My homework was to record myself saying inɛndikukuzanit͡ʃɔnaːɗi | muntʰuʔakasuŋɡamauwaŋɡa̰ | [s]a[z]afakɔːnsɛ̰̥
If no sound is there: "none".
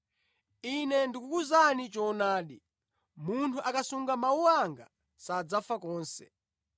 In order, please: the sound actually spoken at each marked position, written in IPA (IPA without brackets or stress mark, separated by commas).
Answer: s, d͡z